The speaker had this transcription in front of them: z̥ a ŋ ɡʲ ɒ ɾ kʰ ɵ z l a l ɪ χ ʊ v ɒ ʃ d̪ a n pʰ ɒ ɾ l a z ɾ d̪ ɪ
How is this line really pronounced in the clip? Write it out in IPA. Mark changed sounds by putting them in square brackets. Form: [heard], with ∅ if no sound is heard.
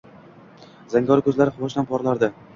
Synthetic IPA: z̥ a ŋ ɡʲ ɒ ɾ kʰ ɵ z l a [ɾ] ɪ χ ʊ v ɒ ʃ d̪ a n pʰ ɒ ɾ l a [∅] ɾ d̪ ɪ